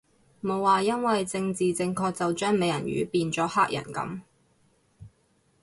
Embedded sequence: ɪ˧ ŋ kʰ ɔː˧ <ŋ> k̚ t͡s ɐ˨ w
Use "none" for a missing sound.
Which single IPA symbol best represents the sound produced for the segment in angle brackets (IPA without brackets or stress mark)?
none